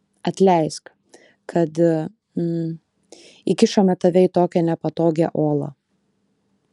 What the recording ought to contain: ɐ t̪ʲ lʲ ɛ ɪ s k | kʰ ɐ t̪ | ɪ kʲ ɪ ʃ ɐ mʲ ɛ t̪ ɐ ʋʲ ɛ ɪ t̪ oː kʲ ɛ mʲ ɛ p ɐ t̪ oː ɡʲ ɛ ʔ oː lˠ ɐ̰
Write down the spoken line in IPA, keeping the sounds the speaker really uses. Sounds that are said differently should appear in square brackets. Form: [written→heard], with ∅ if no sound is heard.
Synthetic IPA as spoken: ɐ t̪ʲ lʲ ɛ ɪ s k | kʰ ɐ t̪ | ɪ kʲ ɪ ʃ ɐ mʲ ɛ t̪ ɐ ʋʲ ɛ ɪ t̪ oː kʲ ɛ [mʲ→nʲ] ɛ p ɐ t̪ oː ɡʲ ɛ ʔ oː lˠ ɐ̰

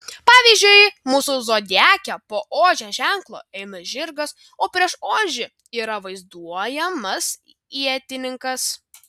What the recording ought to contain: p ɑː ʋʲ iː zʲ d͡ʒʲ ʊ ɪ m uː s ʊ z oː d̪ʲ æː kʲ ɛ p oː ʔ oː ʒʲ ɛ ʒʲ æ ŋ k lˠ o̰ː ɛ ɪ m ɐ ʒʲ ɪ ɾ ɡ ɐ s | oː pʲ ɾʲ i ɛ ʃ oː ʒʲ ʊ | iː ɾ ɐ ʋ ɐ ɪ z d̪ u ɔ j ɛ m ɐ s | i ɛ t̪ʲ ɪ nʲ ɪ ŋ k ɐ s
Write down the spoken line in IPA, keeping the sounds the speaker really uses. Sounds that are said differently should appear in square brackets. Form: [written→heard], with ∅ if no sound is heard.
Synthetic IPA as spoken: p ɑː ʋʲ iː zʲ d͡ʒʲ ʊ ɪ m uː s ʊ z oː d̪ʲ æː kʲ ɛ p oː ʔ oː ʒʲ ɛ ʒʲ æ ŋ k lˠ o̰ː ɛ ɪ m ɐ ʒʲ ɪ ɾ ɡ ɐ s | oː pʲ ɾʲ i ɛ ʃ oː ʒʲ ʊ | iː ɾ ɐ ʋ ɐ ɪ z d̪ u ɔ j ɛ m ɐ s | i ɛ t̪ʲ ɪ nʲ ɪ ŋ k ɐ s

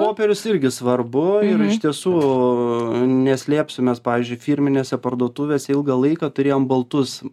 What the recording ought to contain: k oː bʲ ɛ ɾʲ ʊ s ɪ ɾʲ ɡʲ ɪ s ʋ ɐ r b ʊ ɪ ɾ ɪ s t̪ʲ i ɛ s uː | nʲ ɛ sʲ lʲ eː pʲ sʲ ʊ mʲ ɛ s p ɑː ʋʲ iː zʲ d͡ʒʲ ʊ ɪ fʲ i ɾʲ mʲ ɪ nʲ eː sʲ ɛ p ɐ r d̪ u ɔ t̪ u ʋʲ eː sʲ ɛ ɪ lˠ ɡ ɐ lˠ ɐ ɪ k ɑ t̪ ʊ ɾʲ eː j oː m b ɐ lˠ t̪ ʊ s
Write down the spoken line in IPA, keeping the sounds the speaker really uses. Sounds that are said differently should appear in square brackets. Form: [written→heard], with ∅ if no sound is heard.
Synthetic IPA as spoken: [k→p] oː [bʲ→pʲ] ɛ ɾʲ ʊ s ɪ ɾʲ ɡʲ ɪ s ʋ ɐ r b ʊ ɪ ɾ ɪ [s→ʃ] t̪ʲ i ɛ s uː | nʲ ɛ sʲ lʲ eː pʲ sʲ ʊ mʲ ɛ s p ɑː ʋʲ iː zʲ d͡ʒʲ ʊ ɪ fʲ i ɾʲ mʲ ɪ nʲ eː sʲ ɛ p ɐ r d̪ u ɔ t̪ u ʋʲ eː sʲ ɛ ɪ lˠ ɡ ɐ lˠ ɐ ɪ k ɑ t̪ ʊ ɾʲ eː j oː m b ɐ lˠ t̪ ʊ s

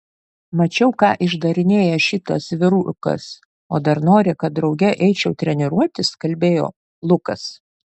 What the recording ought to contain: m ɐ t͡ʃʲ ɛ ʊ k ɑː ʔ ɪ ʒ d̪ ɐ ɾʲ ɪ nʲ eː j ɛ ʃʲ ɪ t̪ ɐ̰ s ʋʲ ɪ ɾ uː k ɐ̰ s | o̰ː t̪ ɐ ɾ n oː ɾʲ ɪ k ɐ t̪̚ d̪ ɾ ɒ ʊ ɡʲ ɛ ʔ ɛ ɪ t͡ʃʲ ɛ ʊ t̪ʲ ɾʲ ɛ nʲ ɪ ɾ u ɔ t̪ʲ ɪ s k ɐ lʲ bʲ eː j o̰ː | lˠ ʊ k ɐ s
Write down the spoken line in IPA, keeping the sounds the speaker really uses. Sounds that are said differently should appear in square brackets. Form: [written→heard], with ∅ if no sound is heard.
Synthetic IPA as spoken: m ɐ t͡ʃʲ ɛ ʊ k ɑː ʔ ɪ ʒ d̪ ɐ ɾʲ ɪ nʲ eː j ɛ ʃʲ ɪ t̪ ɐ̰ s ʋʲ ɪ ɾ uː k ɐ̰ s | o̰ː [t̪→d̪] ɐ ɾ n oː ɾʲ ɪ k ɐ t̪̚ d̪ ɾ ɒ ʊ ɡʲ ɛ ʔ ɛ ɪ t͡ʃʲ ɛ ʊ t̪ʲ ɾʲ ɛ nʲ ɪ ɾ u ɔ t̪ʲ ɪ s k ɐ lʲ bʲ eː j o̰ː | lˠ ʊ k ɐ s

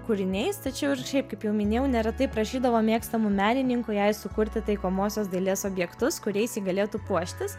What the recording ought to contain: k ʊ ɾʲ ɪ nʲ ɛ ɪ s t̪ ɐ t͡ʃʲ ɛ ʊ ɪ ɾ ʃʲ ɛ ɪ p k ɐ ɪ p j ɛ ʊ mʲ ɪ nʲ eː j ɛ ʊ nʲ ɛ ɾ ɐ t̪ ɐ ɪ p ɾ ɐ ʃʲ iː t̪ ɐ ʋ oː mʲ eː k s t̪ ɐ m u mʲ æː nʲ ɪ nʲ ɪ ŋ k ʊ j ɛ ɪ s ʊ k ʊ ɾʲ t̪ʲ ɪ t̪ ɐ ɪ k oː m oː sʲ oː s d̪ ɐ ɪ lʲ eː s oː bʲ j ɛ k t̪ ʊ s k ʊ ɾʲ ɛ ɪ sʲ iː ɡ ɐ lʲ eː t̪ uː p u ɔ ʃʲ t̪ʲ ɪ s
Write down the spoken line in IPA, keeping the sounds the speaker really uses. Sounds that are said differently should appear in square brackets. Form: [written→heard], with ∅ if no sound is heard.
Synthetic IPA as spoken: k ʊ ɾʲ ɪ nʲ ɛ ɪ s t̪ ɐ t͡ʃʲ ɛ ʊ ɪ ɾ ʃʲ ɛ ɪ p k ɐ ɪ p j ɛ ʊ mʲ ɪ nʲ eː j ɛ ʊ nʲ ɛ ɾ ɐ t̪ ɐ ɪ p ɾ ɐ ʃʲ iː [t̪→d̪] ɐ ʋ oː mʲ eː k s t̪ ɐ m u mʲ æː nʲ ɪ nʲ ɪ ŋ k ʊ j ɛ ɪ s ʊ k ʊ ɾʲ t̪ʲ ɪ t̪ ɐ ɪ k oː m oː sʲ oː s d̪ ɐ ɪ lʲ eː s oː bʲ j ɛ k t̪ ʊ s k ʊ ɾʲ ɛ ɪ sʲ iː ɡ ɐ lʲ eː t̪ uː p u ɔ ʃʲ t̪ʲ ɪ s

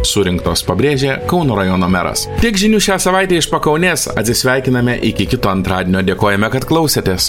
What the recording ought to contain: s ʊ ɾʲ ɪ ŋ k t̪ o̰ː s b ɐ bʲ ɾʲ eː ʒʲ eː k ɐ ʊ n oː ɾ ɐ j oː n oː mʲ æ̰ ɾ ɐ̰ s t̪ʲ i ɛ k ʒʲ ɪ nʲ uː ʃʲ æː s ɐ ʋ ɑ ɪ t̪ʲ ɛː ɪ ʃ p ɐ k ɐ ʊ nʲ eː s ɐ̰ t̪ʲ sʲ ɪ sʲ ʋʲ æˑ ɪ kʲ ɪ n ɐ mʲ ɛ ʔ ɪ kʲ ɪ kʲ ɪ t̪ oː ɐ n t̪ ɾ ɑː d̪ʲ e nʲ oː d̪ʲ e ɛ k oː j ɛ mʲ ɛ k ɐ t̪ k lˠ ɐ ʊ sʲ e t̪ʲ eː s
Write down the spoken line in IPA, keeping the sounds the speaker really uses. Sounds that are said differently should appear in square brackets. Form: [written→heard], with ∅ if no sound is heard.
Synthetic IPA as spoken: s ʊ ɾʲ ɪ ŋ k t̪ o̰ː s [b→p] ɐ bʲ ɾʲ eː ʒʲ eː k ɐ ʊ n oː ɾ ɐ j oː n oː mʲ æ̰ ɾ ɐ̰ s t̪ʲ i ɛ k ʒʲ ɪ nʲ uː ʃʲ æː s ɐ ʋ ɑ ɪ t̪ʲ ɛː ɪ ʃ p ɐ k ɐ ʊ nʲ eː s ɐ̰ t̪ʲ sʲ ɪ sʲ ʋʲ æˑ ɪ kʲ ɪ n ɐ mʲ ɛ ʔ ɪ kʲ ɪ kʲ ɪ t̪ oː ɐ n t̪ ɾ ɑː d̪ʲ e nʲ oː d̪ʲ e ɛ k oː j ɛ mʲ ɛ k ɐ t̪ k lˠ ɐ ʊ sʲ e t̪ʲ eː s

